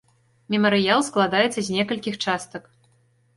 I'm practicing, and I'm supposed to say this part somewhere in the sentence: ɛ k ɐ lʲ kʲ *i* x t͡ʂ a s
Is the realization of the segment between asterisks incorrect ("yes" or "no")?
no